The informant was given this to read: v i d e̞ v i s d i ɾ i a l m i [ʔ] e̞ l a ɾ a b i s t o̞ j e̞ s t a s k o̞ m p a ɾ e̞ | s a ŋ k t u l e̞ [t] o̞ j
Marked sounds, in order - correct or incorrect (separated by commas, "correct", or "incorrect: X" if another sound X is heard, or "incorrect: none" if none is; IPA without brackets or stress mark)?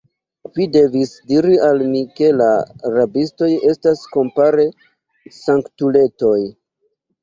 incorrect: k, correct